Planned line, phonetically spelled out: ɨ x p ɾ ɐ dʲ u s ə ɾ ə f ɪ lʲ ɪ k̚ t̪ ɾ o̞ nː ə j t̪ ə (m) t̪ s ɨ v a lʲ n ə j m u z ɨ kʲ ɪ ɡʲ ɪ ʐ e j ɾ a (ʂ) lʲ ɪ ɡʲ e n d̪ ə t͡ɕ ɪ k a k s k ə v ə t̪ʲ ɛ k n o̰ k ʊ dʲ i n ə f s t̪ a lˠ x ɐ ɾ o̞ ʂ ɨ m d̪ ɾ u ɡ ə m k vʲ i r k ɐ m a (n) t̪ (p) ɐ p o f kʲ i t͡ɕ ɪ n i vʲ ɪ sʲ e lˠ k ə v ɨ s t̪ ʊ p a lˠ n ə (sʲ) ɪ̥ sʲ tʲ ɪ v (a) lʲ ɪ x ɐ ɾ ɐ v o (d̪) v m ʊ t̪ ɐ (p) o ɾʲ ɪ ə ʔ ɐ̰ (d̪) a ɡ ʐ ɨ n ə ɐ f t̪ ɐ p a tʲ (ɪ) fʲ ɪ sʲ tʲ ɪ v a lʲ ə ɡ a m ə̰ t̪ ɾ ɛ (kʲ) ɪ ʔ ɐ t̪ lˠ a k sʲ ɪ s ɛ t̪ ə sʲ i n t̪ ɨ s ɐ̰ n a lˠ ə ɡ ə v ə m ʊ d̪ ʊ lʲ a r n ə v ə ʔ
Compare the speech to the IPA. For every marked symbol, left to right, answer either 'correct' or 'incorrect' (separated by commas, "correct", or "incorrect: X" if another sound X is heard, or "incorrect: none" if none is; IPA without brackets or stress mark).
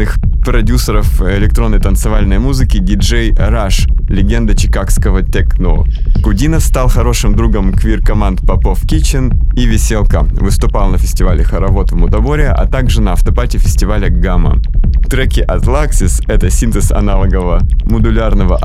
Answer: incorrect: n, correct, correct, correct, incorrect: fʲ, correct, incorrect: t̪, incorrect: b, incorrect: t̪, correct, correct